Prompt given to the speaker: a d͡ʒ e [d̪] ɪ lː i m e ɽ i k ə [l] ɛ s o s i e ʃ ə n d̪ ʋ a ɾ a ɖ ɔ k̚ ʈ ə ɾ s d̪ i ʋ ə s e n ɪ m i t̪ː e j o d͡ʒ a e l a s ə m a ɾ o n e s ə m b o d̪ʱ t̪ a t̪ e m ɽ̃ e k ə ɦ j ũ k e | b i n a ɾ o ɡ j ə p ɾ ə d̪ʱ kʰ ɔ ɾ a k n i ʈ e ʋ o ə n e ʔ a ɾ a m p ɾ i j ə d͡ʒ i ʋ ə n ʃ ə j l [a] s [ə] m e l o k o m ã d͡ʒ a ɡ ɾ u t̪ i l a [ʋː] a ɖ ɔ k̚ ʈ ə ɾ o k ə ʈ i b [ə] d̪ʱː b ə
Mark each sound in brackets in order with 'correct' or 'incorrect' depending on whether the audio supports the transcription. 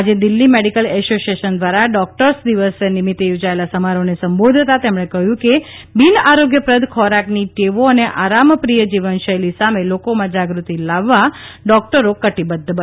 correct, correct, incorrect, incorrect, correct, correct

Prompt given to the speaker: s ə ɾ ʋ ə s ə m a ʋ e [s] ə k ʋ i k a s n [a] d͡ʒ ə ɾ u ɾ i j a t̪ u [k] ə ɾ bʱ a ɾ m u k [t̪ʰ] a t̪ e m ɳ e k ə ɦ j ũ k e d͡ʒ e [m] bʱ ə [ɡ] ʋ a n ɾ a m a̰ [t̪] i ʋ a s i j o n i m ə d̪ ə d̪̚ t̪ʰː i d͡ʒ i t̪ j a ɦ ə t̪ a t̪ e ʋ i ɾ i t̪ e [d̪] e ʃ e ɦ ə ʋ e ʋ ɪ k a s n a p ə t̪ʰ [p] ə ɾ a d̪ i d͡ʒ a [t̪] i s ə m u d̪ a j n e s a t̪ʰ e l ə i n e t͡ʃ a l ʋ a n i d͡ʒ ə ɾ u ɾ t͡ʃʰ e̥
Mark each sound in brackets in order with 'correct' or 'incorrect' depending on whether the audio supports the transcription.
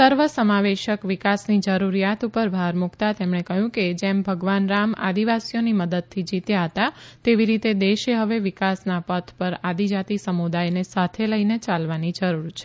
incorrect, incorrect, incorrect, incorrect, correct, correct, incorrect, correct, correct, correct

